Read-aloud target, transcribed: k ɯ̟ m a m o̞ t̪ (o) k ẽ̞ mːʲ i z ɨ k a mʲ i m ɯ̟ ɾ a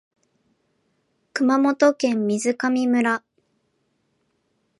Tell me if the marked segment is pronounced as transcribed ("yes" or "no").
yes